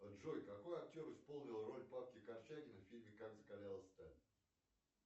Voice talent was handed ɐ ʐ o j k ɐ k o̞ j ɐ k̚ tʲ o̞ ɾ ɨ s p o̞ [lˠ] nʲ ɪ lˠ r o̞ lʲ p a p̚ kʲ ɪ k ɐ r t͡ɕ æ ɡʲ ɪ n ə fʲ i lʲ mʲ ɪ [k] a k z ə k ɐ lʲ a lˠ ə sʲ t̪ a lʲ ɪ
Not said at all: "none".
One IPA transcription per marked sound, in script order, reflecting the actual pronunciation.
lˠ, k

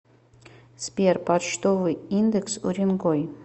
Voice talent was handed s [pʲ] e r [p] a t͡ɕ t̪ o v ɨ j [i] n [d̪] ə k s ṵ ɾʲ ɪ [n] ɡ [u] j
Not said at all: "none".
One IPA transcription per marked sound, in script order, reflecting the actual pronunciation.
pʲ, p, i, d̪, n, o

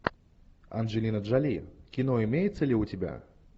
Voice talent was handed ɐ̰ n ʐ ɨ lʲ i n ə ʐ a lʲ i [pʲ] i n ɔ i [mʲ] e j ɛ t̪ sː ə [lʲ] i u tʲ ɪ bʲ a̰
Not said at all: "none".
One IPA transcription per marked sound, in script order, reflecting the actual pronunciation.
kʲ, mʲ, lʲ

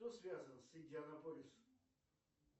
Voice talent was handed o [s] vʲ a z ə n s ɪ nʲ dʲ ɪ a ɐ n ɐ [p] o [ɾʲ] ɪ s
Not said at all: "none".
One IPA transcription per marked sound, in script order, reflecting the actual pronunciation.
s, p, lʲ

